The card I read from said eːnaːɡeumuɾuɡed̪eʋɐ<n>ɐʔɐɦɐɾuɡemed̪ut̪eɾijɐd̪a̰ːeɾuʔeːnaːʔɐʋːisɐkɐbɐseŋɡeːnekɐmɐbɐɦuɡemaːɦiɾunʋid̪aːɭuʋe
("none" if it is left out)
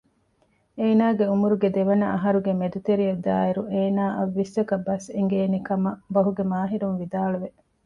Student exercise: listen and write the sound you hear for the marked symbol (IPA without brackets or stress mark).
n